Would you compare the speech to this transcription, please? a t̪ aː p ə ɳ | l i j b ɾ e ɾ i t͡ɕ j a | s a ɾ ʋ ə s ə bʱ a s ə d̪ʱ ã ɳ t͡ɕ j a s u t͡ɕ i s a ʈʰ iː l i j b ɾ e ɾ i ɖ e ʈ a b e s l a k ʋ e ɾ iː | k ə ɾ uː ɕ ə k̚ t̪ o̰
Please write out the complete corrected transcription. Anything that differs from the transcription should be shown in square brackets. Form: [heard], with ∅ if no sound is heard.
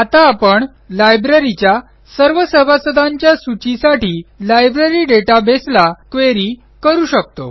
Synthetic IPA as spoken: a t̪ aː p ə ɳ | l [a] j b ɾ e ɾ i t͡ɕ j a | s [ə] ɾ ʋ ə s ə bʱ a s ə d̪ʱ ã [ɲ] t͡ɕ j a s u t͡ɕ i s a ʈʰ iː l [a] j b ɾ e ɾ i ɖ e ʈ a b e s l a k ʋ e ɾ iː | k ə ɾ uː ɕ ə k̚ t̪ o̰